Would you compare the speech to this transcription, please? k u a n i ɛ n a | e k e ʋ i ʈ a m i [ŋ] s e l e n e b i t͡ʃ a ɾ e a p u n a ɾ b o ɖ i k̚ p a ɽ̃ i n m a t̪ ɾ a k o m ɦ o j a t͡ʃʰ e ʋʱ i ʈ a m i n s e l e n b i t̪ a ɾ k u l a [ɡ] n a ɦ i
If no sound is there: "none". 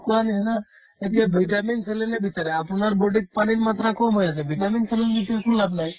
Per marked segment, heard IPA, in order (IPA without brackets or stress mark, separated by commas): n, b